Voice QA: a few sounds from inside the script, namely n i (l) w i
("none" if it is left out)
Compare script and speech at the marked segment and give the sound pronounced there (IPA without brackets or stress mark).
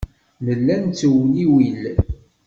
none